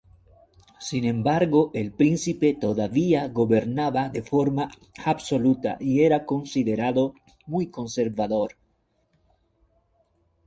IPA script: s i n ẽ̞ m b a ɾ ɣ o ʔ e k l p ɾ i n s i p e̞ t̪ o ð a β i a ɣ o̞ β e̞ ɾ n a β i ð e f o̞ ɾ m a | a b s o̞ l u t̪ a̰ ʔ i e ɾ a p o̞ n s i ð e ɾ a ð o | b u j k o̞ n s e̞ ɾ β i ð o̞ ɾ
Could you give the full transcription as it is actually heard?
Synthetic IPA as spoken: s i n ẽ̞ m b a ɾ ɣ o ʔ e l p ɾ i n s i p e̞ t̪ o ð a β i a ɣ o̞ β e̞ ɾ n a β a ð e f o̞ ɾ m a | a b s o̞ l u t̪ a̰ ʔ i e ɾ a k o̞ n s i ð e ɾ a ð o | m u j k o̞ n s e̞ ɾ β a ð o̞ ɾ